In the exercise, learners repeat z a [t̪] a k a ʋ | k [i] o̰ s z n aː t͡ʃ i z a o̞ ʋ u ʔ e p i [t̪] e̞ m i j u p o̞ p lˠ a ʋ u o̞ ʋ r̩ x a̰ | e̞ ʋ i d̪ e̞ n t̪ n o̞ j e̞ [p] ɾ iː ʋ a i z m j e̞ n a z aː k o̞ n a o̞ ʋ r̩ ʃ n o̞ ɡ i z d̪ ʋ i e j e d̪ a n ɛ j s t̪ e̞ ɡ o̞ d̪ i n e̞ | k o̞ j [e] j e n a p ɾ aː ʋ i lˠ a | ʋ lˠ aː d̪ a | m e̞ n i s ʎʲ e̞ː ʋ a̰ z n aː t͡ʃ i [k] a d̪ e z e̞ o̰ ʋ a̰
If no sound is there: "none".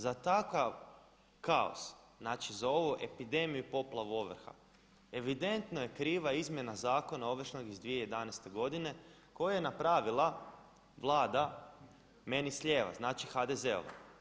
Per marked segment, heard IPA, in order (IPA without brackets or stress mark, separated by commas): t̪, a, d̪, k, a, x